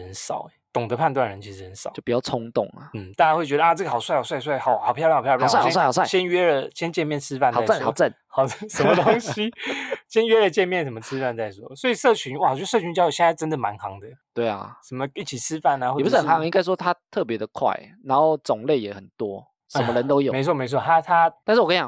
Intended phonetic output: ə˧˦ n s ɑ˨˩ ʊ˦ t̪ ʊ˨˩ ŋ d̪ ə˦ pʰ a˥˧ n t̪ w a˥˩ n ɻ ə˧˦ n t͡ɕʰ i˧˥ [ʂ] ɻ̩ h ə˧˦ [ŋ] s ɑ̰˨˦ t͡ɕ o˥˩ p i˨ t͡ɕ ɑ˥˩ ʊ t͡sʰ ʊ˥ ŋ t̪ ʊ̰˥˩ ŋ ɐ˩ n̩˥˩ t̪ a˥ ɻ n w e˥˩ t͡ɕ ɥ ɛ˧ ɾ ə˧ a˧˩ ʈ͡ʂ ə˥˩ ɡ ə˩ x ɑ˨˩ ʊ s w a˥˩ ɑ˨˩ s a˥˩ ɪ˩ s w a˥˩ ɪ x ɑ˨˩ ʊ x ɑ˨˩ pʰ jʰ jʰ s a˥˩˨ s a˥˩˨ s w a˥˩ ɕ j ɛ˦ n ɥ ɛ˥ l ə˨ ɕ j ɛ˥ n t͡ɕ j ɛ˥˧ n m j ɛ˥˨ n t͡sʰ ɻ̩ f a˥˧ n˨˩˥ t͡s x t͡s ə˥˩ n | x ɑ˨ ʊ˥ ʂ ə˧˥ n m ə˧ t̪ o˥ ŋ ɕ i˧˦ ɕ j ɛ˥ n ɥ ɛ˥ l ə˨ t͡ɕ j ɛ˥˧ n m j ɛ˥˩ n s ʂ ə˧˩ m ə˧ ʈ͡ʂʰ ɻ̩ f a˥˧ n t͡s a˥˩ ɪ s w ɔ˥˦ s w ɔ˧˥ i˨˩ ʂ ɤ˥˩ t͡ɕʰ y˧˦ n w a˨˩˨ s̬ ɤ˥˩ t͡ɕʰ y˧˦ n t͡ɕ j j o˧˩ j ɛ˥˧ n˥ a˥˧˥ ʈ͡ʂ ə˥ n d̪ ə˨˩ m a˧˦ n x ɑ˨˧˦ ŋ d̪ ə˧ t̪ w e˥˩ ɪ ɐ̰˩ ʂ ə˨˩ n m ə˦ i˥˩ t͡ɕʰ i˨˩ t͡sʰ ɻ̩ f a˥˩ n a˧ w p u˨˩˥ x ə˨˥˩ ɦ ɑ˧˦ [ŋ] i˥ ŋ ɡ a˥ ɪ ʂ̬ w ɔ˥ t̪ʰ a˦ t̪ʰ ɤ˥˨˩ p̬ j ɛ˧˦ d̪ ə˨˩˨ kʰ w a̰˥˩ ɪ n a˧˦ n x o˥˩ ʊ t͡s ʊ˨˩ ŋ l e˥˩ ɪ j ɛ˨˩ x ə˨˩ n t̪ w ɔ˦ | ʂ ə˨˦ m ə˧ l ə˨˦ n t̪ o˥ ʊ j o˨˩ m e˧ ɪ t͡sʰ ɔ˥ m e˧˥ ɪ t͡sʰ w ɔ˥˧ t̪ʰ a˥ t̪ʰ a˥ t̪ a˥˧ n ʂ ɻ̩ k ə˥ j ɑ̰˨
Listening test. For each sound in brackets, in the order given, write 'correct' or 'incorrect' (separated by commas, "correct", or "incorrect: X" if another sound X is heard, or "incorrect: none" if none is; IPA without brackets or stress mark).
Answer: correct, incorrect: n, correct